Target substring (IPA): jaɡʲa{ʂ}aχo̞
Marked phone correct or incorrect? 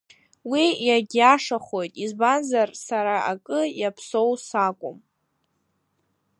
correct